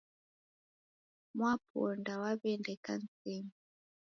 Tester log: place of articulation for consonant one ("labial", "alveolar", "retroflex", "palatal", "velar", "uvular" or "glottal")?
labial